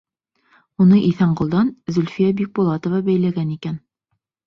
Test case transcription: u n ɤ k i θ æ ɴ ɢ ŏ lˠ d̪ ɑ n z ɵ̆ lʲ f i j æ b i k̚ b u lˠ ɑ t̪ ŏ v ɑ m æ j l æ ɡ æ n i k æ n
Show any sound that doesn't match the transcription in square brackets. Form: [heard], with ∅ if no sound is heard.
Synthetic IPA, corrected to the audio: u n ɤ [ʔ] i θ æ ɴ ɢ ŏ lˠ d̪ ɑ n z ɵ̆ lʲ f i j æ b i k̚ b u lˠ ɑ t̪ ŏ v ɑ [b] æ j l æ ɡ æ n i k æ n